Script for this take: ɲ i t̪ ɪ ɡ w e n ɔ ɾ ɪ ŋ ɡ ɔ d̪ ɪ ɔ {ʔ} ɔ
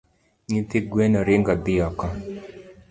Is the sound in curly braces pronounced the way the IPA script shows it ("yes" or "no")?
no